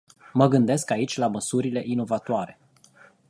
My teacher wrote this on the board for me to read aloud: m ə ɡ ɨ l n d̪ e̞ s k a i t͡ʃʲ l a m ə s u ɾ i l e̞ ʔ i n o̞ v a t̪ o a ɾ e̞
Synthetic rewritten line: m ə ɡ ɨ n d̪ e̞ s k a i t͡ʃʲ l a m ə s u ɾ i l e̞ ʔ i n o̞ v a t̪ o a ɾ e̞